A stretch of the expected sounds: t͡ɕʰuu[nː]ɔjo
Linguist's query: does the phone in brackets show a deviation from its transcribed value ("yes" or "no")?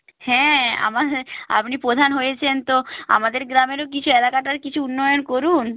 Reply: no